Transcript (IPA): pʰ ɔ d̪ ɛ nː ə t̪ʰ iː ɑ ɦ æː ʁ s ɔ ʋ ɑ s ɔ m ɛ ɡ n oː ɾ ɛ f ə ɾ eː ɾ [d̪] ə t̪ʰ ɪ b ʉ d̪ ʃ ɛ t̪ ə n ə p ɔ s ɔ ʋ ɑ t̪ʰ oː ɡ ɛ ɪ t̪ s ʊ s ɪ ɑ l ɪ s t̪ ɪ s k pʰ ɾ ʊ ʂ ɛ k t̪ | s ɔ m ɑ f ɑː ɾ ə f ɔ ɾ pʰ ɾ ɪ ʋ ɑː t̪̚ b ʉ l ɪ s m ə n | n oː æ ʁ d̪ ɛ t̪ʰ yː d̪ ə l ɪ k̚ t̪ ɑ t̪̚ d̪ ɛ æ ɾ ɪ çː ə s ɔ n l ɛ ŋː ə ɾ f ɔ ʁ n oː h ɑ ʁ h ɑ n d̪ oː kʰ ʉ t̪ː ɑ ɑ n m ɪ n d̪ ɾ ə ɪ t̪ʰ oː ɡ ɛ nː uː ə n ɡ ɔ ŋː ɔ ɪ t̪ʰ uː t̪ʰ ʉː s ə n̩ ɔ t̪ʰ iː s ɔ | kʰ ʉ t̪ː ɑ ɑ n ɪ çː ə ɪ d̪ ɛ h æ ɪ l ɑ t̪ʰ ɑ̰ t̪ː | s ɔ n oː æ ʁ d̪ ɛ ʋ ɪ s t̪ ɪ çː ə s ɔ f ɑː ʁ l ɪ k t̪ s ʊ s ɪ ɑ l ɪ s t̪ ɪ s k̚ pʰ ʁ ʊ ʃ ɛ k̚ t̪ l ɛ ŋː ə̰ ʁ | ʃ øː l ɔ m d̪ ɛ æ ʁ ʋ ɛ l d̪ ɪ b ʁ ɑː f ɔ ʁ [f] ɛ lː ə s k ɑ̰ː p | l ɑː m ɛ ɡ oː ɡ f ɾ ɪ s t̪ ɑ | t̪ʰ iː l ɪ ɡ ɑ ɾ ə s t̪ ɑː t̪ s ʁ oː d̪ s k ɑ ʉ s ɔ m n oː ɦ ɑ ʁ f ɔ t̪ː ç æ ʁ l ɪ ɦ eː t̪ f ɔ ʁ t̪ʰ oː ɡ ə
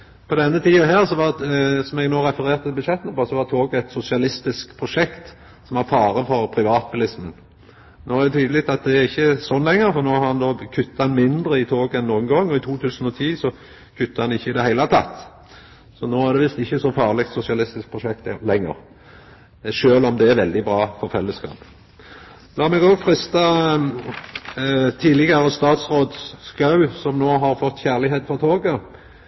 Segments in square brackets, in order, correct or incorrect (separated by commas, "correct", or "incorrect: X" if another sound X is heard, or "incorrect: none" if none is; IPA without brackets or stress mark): incorrect: t̪, correct